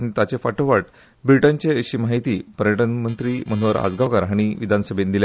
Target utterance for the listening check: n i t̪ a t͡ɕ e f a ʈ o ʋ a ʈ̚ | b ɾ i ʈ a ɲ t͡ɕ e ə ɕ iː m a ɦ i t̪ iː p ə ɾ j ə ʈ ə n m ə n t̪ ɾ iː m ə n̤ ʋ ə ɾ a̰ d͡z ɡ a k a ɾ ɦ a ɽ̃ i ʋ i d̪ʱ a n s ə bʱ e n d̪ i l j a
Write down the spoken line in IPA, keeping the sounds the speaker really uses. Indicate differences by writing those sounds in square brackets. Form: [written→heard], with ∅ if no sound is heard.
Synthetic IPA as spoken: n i t̪ a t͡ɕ e f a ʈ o ʋ a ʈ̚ | b ɾ i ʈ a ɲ t͡ɕ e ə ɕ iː m a ɦ i t̪ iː p ə ɾ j ə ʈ ə n m ə n t̪ ɾ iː m ə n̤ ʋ ə ɾ a̰ d͡z ɡ a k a ɾ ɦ a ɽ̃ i ʋ i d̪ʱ a n s ə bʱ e n d̪ i l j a

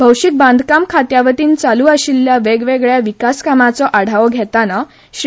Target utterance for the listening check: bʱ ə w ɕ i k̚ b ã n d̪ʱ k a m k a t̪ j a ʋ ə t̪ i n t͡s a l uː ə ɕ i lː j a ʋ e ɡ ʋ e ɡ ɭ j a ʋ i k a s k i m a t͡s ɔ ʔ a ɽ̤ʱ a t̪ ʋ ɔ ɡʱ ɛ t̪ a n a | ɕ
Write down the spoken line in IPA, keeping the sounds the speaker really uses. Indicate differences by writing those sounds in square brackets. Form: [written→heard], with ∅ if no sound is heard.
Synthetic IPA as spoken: bʱ ə w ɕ i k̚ b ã n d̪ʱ k a m [k→kʰ] a t̪ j a ʋ ə t̪ [i→iː] n t͡s a l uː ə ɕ i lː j a ʋ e ɡ ʋ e ɡ ɭ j a ʋ i k a s k [i→a] m a t͡s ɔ ʔ a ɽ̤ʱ a [t̪→∅] ʋ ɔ ɡʱ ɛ t̪ a n a | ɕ

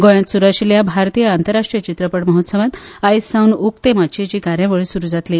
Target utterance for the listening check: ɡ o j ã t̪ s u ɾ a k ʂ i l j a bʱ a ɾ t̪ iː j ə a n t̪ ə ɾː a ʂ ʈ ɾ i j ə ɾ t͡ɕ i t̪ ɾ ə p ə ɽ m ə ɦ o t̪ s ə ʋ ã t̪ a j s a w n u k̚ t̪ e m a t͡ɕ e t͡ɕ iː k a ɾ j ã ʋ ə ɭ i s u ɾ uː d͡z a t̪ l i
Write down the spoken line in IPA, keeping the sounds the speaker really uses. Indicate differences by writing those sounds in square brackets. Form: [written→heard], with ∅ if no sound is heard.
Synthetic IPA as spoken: ɡ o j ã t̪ s u ɾ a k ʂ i l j a bʱ a ɾ t̪ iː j ə a n t̪ ə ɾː a ʂ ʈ ɾ i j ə [ɾ→∅] t͡ɕ i t̪ ɾ ə p ə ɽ m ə ɦ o t̪ s ə ʋ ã t̪ a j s a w n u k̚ t̪ e m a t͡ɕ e t͡ɕ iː k a ɾ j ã ʋ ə ɭ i s u ɾ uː d͡z a t̪ l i

